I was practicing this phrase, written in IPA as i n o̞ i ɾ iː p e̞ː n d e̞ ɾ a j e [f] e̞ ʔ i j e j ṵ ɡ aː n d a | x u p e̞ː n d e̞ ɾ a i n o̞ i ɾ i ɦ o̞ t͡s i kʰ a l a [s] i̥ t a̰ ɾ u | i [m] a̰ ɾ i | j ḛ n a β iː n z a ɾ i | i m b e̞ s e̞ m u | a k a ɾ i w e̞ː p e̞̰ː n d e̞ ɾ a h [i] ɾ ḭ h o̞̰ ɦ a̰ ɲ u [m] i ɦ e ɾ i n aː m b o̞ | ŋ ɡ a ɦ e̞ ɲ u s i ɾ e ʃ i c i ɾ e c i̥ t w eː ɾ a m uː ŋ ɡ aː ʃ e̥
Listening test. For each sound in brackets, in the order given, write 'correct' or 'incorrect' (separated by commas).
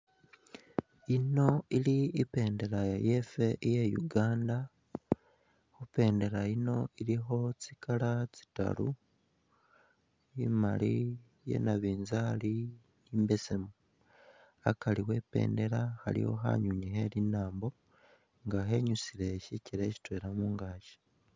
correct, incorrect, correct, incorrect, incorrect